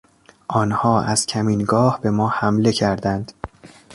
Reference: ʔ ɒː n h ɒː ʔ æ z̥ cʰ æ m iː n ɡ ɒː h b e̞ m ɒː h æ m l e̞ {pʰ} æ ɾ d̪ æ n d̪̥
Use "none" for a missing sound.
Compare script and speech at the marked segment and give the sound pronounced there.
cʰ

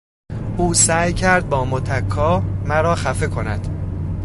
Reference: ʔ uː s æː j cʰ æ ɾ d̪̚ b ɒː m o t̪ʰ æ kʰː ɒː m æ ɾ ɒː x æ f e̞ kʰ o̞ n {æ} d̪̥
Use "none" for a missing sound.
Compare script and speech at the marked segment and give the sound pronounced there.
æ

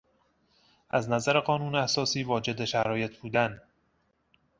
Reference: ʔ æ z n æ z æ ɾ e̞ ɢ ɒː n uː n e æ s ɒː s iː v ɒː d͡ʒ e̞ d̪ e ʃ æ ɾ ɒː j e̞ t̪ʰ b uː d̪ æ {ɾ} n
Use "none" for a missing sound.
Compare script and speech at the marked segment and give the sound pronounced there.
none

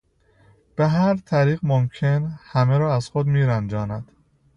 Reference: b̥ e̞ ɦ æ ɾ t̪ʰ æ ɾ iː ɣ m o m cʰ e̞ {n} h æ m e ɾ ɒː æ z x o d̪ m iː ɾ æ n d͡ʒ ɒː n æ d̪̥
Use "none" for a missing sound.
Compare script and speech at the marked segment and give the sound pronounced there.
n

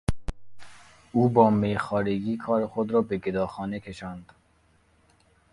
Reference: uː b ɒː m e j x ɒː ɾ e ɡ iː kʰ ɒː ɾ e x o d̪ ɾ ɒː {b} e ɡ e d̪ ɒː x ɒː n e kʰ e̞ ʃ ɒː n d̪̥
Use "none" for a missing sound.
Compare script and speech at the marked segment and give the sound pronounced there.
b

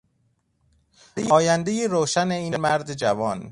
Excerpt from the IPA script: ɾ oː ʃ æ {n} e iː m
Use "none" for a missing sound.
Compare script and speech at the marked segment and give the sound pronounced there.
n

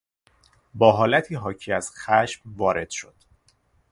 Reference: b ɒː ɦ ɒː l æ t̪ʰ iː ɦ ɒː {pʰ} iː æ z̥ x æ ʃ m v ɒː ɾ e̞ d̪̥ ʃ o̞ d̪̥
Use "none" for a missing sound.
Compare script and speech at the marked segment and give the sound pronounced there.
cʰ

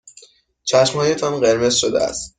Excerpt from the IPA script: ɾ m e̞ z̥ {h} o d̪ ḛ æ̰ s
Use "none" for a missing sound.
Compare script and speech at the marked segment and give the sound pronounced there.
ʃ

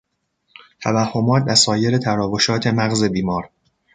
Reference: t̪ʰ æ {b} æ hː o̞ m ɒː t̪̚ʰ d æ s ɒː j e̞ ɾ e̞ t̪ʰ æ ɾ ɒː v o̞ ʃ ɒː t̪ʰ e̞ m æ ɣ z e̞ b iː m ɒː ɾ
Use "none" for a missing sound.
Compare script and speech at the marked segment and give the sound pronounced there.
v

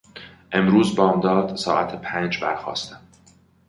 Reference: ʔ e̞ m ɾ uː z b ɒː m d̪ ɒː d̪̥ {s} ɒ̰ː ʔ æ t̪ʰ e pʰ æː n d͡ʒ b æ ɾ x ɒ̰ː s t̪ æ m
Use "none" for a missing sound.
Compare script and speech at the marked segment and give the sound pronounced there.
s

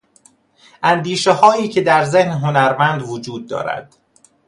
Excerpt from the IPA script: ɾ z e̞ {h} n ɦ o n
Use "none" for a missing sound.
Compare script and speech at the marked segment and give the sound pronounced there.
h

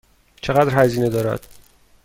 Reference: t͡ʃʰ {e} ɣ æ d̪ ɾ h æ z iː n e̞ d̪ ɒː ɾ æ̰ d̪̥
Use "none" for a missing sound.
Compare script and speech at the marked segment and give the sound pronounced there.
e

